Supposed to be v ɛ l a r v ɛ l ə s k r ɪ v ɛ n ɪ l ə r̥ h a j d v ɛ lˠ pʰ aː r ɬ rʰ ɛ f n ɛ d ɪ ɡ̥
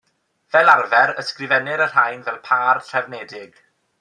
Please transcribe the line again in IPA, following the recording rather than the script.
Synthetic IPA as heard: v ɛ l a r v ɛ ɾ ə s k r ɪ v ɛ n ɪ ɾ ə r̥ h a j n v ɛ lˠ pʰ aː r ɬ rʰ ɛ v n ɛ d ɪ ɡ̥